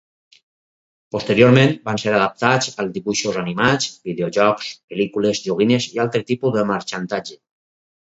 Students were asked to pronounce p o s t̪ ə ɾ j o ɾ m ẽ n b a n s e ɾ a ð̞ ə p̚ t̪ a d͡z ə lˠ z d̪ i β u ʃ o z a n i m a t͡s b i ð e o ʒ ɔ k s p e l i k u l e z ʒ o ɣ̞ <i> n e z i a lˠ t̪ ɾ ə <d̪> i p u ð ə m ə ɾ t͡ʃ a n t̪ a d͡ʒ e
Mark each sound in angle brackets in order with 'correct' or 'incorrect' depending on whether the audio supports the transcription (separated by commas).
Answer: correct, incorrect